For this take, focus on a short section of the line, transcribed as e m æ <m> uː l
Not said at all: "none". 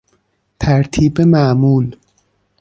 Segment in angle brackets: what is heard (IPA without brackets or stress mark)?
m